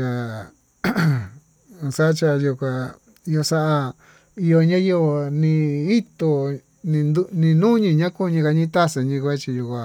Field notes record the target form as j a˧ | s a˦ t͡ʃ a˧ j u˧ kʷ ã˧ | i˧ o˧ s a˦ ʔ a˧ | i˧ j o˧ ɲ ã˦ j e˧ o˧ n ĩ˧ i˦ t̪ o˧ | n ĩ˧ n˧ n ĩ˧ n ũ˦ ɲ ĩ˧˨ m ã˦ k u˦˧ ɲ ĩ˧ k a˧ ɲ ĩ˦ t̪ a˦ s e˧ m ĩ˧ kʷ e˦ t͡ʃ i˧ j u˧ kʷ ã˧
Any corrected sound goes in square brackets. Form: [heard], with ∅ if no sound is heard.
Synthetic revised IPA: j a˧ | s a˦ t͡ʃ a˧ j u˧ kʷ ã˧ | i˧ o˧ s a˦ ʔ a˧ | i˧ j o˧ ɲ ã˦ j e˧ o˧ n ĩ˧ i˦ t̪ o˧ | n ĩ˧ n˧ n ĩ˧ n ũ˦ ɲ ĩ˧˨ [ɲ] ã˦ k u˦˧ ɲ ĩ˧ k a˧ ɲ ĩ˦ t̪ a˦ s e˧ [ɲ] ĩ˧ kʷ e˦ t͡ʃ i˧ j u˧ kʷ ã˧